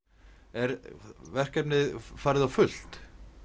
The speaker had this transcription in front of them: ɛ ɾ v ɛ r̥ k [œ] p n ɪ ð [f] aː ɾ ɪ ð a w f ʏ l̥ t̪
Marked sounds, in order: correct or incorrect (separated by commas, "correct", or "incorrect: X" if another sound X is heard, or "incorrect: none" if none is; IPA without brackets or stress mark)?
incorrect: ɛ, correct